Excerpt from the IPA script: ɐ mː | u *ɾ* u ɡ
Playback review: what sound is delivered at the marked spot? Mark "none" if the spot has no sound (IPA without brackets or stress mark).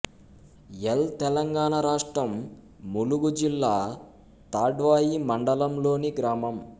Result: l